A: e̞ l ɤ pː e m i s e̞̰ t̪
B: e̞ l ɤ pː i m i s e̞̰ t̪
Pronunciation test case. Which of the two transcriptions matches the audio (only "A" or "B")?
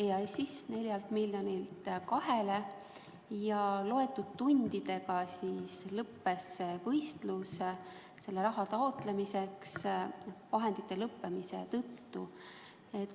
A